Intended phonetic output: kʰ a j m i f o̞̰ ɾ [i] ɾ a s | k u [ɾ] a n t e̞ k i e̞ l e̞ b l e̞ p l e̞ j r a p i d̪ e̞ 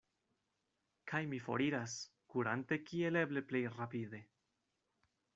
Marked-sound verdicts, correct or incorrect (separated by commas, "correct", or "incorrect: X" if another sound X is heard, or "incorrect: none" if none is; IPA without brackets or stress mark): correct, correct